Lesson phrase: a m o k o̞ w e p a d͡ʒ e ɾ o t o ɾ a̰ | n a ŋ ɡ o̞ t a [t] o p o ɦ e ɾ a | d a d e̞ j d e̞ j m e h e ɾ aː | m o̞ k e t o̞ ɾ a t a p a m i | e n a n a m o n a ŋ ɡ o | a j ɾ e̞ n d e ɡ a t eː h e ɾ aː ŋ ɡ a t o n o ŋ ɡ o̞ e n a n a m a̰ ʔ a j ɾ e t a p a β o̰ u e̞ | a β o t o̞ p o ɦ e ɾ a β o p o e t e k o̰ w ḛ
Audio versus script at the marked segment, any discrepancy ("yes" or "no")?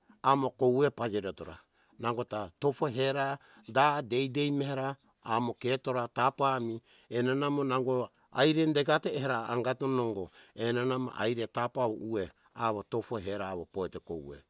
no